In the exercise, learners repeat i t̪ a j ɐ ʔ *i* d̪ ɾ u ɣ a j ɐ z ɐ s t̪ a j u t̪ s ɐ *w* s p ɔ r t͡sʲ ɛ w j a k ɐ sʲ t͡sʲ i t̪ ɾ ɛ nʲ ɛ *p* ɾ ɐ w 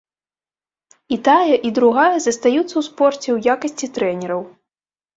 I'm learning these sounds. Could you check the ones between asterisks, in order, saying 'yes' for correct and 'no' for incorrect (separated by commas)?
yes, yes, no